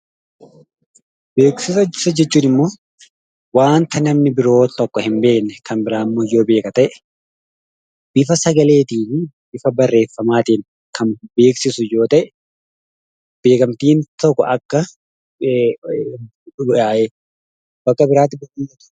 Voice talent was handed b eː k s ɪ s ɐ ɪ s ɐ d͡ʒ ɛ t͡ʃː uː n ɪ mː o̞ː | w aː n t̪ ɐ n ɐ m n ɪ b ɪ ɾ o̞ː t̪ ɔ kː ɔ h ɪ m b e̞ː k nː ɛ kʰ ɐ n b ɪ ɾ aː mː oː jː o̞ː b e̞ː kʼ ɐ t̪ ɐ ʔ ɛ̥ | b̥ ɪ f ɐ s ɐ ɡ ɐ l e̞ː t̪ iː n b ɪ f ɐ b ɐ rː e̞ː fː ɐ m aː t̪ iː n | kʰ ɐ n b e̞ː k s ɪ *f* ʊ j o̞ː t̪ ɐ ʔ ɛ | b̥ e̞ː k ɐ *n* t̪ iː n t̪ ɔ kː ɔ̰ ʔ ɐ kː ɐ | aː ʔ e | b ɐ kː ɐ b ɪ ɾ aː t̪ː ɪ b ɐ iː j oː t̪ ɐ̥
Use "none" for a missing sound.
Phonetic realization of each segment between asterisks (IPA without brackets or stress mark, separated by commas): s, m